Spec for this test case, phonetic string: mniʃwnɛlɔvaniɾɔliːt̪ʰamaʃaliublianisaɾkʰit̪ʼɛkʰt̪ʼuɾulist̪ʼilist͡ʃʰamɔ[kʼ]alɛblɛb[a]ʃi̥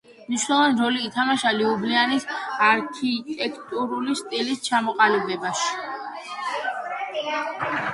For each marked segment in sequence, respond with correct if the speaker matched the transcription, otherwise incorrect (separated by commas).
incorrect, correct